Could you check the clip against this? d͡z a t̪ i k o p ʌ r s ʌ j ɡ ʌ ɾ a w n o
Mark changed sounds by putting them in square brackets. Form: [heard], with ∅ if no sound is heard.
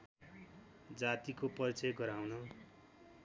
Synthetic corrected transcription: d͡z a t̪ i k o p ʌ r [t͡s] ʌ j ɡ ʌ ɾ a w n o

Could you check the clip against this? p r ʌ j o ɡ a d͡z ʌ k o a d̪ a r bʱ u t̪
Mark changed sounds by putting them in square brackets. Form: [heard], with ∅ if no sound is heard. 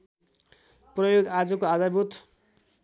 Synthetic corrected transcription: p r ʌ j o ɡ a d͡z ʌ k o a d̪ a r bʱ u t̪

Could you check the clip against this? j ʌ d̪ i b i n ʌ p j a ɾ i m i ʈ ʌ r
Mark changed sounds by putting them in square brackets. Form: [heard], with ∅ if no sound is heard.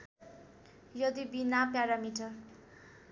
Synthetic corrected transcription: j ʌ d̪ i b i n [a] p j a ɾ [a] m i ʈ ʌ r

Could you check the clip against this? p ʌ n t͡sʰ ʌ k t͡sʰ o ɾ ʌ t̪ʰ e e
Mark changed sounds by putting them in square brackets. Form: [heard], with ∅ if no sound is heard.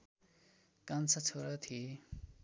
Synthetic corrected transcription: [k] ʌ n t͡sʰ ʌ [∅] t͡sʰ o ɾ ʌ t̪ʰ [i] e

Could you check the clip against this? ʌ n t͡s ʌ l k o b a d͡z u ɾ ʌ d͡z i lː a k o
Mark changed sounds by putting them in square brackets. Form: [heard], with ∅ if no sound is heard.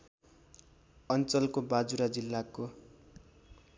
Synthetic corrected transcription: ʌ n t͡s ʌ l k o b a d͡z u ɾ [a] d͡z i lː a k o

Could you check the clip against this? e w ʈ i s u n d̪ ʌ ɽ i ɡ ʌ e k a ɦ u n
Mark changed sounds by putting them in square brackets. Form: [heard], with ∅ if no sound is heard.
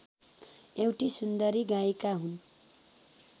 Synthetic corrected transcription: e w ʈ i s u n d̪ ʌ [ɾ] i ɡ [a] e k a ɦ u n

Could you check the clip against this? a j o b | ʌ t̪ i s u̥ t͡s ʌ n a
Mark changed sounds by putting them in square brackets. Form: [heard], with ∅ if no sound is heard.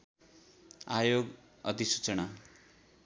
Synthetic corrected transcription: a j o [ɡ] | ʌ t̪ i s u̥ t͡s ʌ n a

